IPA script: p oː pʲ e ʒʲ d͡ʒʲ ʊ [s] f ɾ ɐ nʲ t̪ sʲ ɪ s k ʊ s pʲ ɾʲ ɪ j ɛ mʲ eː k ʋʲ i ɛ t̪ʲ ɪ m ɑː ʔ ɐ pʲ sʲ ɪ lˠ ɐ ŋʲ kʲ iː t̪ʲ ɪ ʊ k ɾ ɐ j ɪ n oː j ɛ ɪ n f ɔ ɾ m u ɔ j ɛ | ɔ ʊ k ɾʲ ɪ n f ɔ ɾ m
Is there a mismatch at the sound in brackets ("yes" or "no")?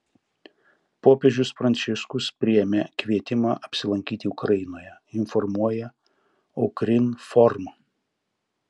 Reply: no